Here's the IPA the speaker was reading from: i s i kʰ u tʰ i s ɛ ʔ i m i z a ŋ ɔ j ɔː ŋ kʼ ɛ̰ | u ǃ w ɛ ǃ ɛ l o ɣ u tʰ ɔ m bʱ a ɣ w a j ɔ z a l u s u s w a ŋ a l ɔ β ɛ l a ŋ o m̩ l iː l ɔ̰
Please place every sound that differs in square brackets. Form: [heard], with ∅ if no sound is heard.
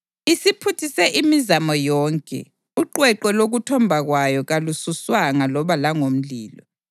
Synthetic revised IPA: i s i [pʰ] u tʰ i s ɛ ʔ i m i z a [m] ɔ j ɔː ŋ kʼ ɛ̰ | u ǃ w ɛ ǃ ɛ l o ɣ u tʰ ɔ m bʱ a ɣ w a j ɔ [ɣ] a l u s u s w a ŋ a l ɔ β [a] l a ŋ o m̩ l iː l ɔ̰